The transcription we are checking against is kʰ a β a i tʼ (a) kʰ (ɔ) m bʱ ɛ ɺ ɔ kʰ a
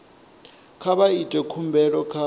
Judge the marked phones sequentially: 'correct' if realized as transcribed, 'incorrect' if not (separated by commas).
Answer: incorrect, incorrect